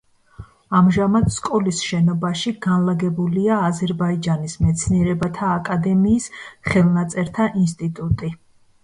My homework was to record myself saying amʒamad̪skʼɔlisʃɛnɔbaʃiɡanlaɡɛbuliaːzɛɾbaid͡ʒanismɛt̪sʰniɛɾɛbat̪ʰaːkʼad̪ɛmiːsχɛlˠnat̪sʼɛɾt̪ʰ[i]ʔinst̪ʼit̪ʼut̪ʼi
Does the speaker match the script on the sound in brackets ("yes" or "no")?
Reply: no